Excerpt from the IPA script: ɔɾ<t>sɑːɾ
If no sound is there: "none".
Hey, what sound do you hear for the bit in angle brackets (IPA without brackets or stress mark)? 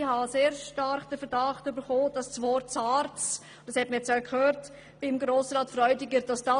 t